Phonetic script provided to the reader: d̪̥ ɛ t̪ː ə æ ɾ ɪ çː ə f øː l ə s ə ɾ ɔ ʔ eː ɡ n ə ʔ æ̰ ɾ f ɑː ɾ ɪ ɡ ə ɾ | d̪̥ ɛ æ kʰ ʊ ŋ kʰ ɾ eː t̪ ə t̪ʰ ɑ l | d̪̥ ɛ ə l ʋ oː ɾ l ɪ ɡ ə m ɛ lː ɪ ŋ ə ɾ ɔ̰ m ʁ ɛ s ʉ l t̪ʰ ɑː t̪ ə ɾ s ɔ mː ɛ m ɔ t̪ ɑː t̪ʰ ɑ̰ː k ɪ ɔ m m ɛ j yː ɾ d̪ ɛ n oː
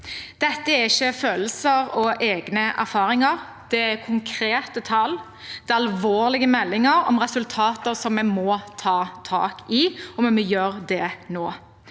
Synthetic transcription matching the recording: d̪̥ ɛ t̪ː ə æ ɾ ɪ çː ə f øː l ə s ə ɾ ɔ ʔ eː ɡ n ə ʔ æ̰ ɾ f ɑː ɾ ɪ ŋ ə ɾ | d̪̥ ɛ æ kʰ ʊ ŋ kʰ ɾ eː t̪ ə t̪ʰ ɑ l | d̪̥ ɛ ɑ l ʋ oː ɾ l ɪ ɡ ə m ɛ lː ɪ ŋ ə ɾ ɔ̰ m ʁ ɛ s ʉ l t̪ʰ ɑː t̪ ə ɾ s ɔ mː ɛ m ɔ t̪ʰ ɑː t̪ʰ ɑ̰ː k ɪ ɔ m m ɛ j øː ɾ d̪ ɛ n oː